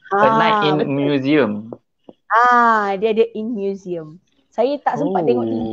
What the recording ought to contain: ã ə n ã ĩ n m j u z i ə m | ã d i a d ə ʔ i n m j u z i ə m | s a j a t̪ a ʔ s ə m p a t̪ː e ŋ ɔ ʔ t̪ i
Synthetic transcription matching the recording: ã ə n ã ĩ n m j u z i ə m | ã d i a d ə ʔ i n m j u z i ə m | s a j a t̪ a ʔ s ə m p a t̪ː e ŋ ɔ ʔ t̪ i